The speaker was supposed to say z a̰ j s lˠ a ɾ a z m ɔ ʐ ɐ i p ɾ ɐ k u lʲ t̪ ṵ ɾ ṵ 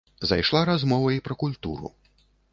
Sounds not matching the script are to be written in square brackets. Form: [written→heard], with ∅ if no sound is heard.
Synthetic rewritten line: z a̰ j [s→ʂ] lˠ a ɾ a z m ɔ [ʐ→v] ɐ i p ɾ ɐ k u lʲ t̪ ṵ ɾ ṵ

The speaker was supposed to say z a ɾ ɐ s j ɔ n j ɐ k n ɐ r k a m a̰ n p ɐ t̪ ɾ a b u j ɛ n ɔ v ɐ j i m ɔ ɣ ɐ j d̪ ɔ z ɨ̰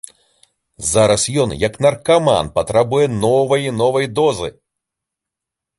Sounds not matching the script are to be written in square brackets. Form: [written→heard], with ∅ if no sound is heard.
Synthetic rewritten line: z a ɾ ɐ s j ɔ n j ɐ k n ɐ r k a m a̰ n p ɐ t̪ ɾ a b u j ɛ n ɔ v ɐ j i [m→n] ɔ [ɣ→v] ɐ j d̪ ɔ z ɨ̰

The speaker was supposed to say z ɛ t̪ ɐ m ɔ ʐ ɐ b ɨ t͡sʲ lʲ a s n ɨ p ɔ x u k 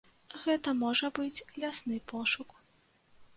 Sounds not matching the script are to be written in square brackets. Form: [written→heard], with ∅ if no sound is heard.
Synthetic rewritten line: [z→ɣ] ɛ t̪ ɐ m ɔ ʐ ɐ b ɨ t͡sʲ lʲ a s n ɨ p ɔ [x→ʂ] u k

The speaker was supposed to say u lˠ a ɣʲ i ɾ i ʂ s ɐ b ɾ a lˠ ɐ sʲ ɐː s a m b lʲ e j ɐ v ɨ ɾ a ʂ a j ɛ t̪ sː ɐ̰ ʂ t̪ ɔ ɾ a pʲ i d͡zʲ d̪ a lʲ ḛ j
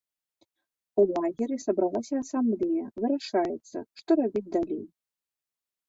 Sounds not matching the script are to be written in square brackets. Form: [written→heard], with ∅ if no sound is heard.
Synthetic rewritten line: u lˠ a ɣʲ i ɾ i [ʂ→∅] s ɐ b ɾ a lˠ [ɐ→a] sʲ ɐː s a m b lʲ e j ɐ v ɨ ɾ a ʂ a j ɛ t̪ sː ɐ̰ ʂ t̪ ɔ ɾ a [pʲ→bʲ] i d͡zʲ d̪ a lʲ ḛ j

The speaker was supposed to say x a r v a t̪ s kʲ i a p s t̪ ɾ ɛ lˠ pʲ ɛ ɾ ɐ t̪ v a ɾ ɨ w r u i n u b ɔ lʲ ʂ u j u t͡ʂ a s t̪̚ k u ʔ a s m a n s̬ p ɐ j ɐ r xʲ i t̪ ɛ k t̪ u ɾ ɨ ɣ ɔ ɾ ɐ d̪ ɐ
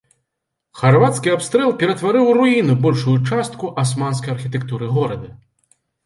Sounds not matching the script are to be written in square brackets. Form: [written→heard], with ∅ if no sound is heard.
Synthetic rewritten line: x a r v a t̪ s kʲ i a p s t̪ ɾ ɛ lˠ pʲ ɛ ɾ ɐ t̪ v a ɾ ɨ w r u i n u b ɔ lʲ ʂ u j u t͡ʂ a s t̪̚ k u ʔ a s m a n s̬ [p→k] ɐ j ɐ r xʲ i t̪ ɛ k t̪ u ɾ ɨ ɣ ɔ ɾ ɐ d̪ ɐ

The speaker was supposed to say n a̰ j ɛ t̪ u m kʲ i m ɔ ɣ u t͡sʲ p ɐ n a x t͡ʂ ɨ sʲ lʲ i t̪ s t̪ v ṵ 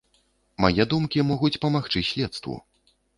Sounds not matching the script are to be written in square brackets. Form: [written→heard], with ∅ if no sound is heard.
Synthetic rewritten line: [n→m] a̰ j ɛ [t̪→d̪] u m kʲ i m ɔ ɣ u t͡sʲ p ɐ [n→m] a x t͡ʂ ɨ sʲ lʲ [i→ɛ] t̪ s t̪ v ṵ

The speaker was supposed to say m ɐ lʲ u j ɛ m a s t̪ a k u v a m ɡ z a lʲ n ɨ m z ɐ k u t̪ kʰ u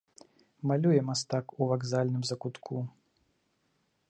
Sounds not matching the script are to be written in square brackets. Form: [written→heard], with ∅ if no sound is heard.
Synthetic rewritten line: m [ɐ→a] lʲ u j ɛ m a s t̪ a k u v a [m→∅] ɡ z a lʲ n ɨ m z ɐ k u t̪ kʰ u

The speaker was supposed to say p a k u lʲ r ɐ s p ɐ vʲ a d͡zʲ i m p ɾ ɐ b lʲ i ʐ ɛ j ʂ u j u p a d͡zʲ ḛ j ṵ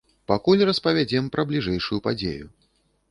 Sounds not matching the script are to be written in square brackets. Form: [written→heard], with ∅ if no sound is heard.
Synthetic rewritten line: p a k u lʲ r ɐ s p ɐ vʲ a d͡zʲ [i→ɛ] m p ɾ ɐ b lʲ i ʐ ɛ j ʂ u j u p a d͡zʲ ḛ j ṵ

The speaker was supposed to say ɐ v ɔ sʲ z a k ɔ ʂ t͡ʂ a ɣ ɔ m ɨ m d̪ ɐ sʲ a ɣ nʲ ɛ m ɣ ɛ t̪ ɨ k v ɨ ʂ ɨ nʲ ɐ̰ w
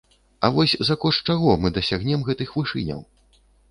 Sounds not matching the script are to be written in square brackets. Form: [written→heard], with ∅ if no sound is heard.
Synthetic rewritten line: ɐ v ɔ sʲ z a k ɔ ʂ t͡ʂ a ɣ ɔ m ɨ [m→∅] d̪ ɐ sʲ a ɣ nʲ ɛ m ɣ ɛ t̪ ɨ [k→x] v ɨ ʂ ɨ nʲ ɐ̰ w

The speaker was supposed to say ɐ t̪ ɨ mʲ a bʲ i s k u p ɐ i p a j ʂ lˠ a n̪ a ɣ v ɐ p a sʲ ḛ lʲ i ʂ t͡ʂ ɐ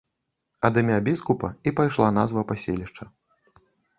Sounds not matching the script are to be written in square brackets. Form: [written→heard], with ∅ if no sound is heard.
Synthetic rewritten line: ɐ [t̪→d̪] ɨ mʲ a bʲ i s k u p ɐ i p a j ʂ lˠ a n̪ a [ɣ→z] v ɐ p a sʲ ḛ lʲ i ʂ t͡ʂ ɐ

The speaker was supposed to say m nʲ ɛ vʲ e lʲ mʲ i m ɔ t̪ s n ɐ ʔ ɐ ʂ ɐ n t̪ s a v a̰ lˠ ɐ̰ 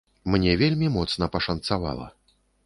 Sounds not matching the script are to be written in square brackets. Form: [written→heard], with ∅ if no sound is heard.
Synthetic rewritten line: m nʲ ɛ vʲ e lʲ mʲ i m ɔ t̪ s n ɐ [ʔ→p] ɐ ʂ ɐ n t̪ s a v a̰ lˠ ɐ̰

